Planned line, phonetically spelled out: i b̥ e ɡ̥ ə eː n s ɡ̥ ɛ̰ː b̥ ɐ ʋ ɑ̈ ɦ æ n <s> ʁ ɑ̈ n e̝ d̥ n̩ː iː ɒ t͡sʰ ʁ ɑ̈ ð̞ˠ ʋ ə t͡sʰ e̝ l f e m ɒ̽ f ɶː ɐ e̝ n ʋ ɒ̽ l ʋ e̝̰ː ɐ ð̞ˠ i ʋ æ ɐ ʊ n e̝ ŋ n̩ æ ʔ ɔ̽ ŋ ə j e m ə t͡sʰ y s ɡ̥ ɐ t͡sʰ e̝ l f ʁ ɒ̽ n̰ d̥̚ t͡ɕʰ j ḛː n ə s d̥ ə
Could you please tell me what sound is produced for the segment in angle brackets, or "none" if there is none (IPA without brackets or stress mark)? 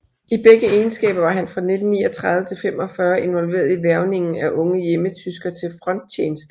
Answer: f